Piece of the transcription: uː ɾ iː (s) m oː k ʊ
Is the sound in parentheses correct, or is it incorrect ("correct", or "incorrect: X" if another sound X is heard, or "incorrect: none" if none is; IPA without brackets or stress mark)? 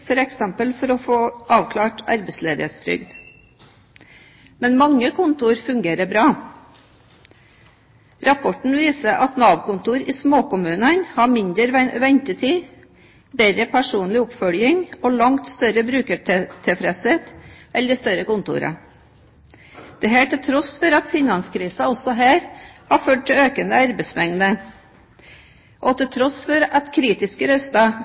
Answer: correct